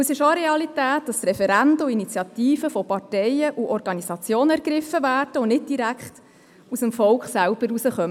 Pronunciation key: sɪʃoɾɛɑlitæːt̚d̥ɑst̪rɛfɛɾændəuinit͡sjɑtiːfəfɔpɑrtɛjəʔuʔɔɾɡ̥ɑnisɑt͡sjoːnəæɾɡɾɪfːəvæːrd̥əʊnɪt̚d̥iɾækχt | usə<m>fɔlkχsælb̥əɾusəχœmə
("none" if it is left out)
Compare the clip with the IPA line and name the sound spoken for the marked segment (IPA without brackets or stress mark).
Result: m